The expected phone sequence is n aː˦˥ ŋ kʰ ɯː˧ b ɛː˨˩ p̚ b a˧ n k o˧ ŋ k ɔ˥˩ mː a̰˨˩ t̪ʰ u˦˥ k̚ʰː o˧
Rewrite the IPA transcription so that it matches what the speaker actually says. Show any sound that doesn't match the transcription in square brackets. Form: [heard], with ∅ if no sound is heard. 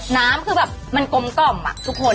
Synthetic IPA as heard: n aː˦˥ [m] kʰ ɯː˧ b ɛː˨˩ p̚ [m] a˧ n k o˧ [m] k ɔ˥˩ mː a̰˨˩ t̪ʰ u˦˥ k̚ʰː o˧